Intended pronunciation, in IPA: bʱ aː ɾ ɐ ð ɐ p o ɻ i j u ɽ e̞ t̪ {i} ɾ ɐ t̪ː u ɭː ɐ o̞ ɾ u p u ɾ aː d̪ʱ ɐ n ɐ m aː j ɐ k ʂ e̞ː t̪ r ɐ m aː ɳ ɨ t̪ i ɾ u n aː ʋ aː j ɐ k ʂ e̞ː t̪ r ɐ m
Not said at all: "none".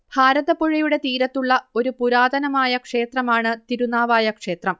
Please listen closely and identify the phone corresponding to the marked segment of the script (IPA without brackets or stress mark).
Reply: iː